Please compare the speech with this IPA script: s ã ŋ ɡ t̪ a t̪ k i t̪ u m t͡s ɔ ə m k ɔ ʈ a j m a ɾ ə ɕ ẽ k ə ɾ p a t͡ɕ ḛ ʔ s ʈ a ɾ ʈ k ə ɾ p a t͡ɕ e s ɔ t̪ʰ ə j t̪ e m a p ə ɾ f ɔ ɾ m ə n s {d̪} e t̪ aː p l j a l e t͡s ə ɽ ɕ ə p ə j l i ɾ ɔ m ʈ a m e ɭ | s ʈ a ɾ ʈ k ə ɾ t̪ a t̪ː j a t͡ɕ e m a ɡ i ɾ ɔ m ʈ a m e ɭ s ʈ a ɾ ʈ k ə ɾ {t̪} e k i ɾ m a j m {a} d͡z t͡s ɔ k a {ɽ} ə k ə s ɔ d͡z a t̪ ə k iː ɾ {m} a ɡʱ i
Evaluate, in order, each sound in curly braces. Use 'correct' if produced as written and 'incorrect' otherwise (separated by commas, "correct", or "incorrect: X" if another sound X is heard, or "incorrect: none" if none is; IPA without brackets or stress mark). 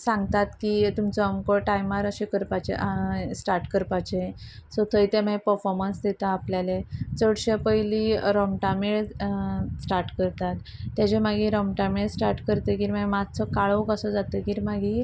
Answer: correct, correct, correct, incorrect: ɭ, correct